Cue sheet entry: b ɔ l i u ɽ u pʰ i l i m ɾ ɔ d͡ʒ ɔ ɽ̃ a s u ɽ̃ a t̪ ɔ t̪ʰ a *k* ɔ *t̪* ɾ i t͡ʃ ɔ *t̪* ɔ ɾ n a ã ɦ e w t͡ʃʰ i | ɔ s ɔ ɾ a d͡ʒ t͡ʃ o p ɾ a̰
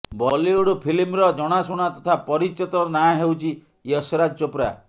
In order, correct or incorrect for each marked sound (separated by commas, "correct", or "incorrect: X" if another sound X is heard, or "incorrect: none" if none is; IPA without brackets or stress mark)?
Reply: incorrect: p, incorrect: none, correct